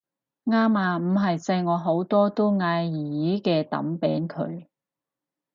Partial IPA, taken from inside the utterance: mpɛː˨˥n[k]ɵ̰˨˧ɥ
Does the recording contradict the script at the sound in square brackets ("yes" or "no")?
yes